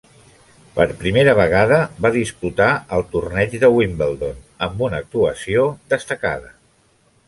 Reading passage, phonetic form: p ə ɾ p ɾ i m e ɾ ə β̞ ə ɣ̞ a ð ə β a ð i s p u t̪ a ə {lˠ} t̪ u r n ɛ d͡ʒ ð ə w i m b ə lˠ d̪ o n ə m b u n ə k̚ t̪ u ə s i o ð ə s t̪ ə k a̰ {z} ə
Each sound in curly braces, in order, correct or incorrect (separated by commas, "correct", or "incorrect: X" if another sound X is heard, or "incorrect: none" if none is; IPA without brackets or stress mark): correct, incorrect: ð